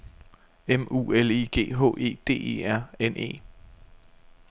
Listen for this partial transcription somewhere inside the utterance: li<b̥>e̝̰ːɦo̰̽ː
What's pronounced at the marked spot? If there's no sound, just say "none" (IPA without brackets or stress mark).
ɡ̥